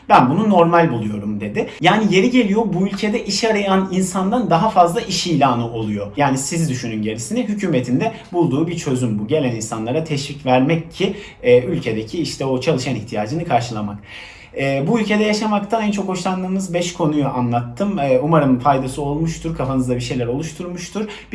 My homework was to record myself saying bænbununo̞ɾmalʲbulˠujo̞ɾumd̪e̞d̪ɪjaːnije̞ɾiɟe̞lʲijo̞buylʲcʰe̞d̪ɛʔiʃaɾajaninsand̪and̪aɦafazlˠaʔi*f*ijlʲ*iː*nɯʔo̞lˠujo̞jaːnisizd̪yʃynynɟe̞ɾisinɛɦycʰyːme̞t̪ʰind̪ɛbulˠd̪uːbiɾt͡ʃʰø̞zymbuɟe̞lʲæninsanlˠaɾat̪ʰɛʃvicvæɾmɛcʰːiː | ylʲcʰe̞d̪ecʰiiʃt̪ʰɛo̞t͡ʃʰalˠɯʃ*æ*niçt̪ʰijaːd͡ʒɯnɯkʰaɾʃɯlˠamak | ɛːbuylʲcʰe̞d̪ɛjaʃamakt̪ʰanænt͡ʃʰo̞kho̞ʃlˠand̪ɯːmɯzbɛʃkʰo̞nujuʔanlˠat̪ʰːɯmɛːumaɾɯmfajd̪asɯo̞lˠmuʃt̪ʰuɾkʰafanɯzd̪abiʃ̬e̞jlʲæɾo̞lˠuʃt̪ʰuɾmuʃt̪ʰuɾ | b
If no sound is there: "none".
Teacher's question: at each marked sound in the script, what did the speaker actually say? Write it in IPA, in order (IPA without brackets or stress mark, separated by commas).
ʃ, aː, a